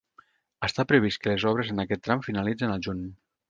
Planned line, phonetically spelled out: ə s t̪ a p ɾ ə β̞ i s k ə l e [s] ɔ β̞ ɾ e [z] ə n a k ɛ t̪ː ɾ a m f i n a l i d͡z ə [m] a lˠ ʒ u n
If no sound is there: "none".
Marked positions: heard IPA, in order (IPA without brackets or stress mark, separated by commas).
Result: z, z, n